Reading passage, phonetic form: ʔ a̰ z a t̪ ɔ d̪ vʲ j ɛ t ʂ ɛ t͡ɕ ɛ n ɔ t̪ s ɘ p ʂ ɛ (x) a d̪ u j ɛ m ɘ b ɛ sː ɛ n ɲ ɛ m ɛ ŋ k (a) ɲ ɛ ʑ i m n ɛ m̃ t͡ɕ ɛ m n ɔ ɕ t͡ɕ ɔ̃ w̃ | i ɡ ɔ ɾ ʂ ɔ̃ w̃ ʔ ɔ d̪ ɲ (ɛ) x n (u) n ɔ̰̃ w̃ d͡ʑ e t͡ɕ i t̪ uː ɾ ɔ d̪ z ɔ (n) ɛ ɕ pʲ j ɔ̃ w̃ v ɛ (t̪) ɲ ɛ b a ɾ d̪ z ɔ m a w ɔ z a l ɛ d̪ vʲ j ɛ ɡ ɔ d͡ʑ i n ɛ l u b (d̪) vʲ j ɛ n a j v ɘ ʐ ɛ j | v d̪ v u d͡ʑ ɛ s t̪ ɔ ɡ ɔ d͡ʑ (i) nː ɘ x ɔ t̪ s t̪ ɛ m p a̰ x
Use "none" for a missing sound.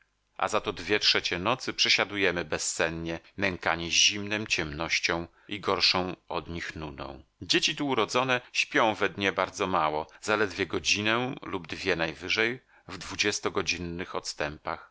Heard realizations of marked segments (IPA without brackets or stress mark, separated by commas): ɕ, a, i, u, n, d̪, d̪, i